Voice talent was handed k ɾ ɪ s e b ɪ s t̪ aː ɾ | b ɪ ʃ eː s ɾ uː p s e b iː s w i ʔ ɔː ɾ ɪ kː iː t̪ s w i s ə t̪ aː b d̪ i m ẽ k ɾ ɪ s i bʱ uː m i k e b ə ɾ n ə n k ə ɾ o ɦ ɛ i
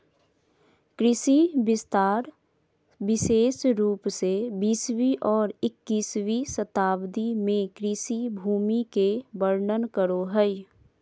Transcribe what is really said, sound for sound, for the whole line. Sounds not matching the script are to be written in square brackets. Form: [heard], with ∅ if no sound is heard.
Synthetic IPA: k ɾ ɪ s [i] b ɪ s t̪ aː ɾ | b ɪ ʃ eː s ɾ uː p s e b iː s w i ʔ ɔː ɾ ɪ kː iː [∅] s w i s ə t̪ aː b d̪ i m ẽ k ɾ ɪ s i bʱ uː m i k e b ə ɾ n ə n k ə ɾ o ɦ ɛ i

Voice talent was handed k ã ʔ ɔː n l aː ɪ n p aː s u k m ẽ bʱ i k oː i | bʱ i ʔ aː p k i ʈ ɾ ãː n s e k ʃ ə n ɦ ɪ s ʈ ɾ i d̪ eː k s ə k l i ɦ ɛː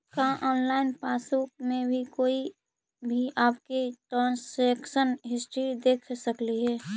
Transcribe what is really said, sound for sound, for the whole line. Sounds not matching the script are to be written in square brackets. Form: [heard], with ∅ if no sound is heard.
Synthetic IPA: k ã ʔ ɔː n l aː ɪ n p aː s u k m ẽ bʱ i k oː i | bʱ i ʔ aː p k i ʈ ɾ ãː n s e k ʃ ə n ɦ ɪ s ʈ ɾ i d̪ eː [kʰ] s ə k l i ɦ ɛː

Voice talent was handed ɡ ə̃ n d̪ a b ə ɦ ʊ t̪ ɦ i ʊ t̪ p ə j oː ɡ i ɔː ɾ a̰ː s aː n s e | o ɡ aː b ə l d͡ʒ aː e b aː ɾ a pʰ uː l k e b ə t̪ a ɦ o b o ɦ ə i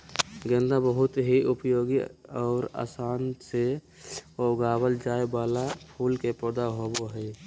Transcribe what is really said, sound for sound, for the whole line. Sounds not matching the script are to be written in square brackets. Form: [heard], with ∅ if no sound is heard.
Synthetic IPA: ɡ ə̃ n d̪ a b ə ɦ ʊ t̪ ɦ i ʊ [∅] p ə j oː ɡ i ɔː ɾ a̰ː s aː n s e | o ɡ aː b ə l d͡ʒ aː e b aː [l] a pʰ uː l k e [p] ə [d̪] a ɦ o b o ɦ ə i

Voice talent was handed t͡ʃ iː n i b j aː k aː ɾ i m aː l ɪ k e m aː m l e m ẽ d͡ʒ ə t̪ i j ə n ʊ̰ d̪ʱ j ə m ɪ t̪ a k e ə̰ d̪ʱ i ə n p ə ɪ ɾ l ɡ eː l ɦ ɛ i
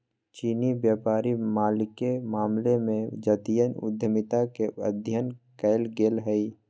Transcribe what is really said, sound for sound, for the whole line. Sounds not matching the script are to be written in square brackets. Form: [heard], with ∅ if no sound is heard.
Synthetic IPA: t͡ʃ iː n i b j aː [p] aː ɾ i m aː l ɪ k e m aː m l e m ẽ d͡ʒ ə t̪ i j ə n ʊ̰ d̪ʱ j ə m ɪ t̪ a k e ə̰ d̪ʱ [j] ə n [k] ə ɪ [∅] l ɡ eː l ɦ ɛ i

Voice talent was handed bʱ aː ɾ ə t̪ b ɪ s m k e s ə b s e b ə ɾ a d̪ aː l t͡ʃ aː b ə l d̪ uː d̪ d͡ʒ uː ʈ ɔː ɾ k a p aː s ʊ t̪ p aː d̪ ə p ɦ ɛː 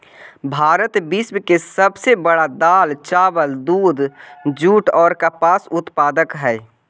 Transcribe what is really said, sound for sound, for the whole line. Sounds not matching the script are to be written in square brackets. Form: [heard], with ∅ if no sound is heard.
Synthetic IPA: bʱ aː ɾ ə t̪ b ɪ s m k e s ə b s e b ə [ɽ] a d̪ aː l t͡ʃ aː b ə l d̪ uː d̪ d͡ʒ uː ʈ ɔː ɾ k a p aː s ʊ t̪ p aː d̪ ə [k] ɦ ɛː

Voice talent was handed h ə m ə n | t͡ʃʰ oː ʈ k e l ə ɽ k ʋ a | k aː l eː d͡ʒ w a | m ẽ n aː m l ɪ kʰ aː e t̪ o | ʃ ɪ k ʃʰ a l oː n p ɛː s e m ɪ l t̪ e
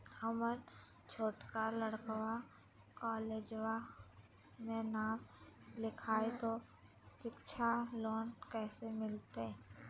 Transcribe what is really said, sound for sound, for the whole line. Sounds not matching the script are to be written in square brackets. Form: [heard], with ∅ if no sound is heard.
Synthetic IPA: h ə m ə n | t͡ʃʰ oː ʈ k [a] l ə ɽ k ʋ a | k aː l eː d͡ʒ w a | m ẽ n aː m l ɪ kʰ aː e t̪ o | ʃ ɪ k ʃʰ a l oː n [k] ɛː s e m ɪ l t̪ e

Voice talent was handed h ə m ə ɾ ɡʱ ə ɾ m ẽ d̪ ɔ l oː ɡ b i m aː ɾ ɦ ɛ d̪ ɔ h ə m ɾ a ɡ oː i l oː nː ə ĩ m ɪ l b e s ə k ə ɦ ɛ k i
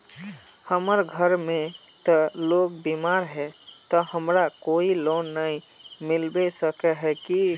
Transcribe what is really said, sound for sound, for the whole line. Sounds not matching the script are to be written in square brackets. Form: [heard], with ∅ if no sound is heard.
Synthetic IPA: h ə m ə ɾ ɡʱ ə ɾ m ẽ [t̪] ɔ l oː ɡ b i m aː ɾ ɦ ɛ [t̪] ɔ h ə m ɾ a [k] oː i l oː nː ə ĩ m ɪ l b e s ə k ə ɦ ɛ k i

